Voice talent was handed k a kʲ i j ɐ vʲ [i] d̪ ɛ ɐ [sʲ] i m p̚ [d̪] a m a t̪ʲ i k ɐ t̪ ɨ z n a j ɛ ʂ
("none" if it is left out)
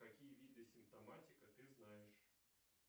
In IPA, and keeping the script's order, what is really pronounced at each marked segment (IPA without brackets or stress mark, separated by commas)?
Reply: i, sʲ, t̪